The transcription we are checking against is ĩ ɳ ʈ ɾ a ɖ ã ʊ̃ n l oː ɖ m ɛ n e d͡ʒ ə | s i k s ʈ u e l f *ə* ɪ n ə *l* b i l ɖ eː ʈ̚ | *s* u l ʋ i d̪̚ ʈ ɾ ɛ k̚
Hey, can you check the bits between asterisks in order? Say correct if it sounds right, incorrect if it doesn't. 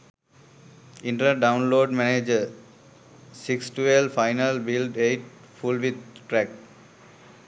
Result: incorrect: a, correct, incorrect: f

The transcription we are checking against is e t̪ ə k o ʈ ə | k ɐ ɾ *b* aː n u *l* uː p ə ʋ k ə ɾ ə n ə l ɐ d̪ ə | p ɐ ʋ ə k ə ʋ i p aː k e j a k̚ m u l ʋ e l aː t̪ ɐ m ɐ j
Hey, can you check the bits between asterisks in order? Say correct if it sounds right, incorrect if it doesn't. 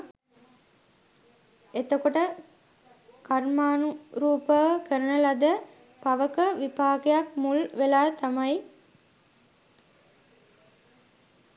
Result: incorrect: m, incorrect: ɾ

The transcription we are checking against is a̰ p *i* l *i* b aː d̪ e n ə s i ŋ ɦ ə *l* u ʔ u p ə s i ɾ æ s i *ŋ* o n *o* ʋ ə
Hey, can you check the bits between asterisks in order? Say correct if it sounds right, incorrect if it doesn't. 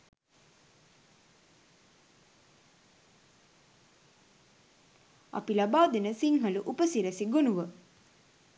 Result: correct, incorrect: a, correct, incorrect: ɡ, incorrect: u

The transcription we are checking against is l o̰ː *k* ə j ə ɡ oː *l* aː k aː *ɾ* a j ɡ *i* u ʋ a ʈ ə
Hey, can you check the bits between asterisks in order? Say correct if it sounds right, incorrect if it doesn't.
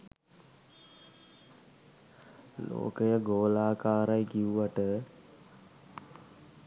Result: correct, correct, correct, correct

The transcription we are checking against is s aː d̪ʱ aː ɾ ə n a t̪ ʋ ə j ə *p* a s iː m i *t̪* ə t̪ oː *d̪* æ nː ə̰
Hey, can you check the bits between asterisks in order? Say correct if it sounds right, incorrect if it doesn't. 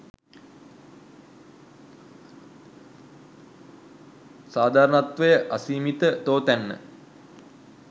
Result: incorrect: ʔ, correct, incorrect: t̪

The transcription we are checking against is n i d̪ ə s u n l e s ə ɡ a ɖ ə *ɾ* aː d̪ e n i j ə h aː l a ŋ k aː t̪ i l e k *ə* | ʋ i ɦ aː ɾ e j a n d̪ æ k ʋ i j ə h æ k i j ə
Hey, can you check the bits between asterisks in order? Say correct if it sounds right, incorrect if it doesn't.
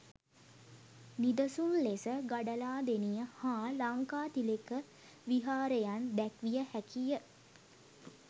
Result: incorrect: l, correct

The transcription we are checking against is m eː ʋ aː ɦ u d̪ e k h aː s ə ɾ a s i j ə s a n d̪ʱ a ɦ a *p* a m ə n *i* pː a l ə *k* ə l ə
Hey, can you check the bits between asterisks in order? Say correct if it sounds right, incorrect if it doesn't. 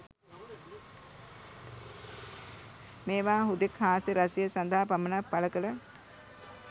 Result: correct, incorrect: a, correct

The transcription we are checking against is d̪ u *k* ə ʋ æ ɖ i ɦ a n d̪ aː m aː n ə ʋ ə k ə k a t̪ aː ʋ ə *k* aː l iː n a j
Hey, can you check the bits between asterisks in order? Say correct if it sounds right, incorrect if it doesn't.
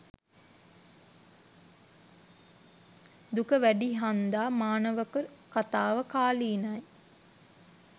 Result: correct, correct

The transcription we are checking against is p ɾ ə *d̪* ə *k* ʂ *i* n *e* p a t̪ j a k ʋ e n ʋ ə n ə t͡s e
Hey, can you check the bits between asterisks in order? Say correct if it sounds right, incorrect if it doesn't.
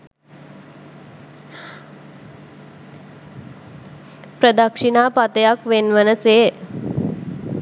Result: correct, correct, correct, incorrect: a

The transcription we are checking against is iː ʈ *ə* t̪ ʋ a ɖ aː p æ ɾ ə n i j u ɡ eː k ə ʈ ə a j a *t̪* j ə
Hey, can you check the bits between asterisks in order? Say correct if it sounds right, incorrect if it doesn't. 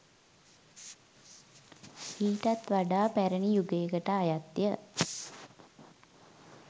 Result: incorrect: a, correct

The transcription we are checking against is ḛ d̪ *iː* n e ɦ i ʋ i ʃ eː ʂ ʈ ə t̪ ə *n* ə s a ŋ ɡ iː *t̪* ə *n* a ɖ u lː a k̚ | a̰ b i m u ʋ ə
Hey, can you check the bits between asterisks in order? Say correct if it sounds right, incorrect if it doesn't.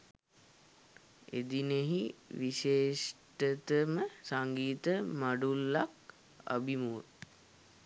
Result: incorrect: i, incorrect: m, correct, incorrect: m

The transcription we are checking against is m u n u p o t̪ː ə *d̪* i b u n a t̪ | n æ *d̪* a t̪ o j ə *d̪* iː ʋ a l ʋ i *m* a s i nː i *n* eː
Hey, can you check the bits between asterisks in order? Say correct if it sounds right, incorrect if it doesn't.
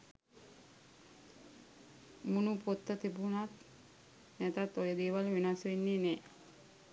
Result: incorrect: t̪, incorrect: t̪, correct, incorrect: n, correct

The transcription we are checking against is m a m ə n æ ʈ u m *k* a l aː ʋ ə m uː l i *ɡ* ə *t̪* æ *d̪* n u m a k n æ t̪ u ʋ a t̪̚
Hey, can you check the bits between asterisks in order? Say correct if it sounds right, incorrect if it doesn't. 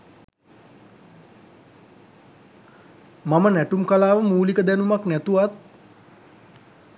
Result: correct, incorrect: k, incorrect: d̪, incorrect: none

